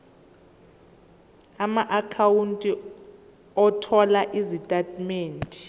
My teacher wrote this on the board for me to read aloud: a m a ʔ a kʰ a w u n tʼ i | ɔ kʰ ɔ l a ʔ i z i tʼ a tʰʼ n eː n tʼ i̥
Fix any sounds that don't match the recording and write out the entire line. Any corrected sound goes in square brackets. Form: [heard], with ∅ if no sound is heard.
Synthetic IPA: a m a ʔ a kʰ a w u n tʼ i | ɔ [tʰ] ɔ l a ʔ i z i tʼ a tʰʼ [m] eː n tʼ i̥